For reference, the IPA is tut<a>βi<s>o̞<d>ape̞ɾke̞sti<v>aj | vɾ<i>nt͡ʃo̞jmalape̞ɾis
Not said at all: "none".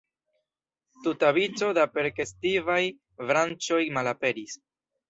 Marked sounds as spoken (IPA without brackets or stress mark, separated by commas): a, t͡s, d, v, a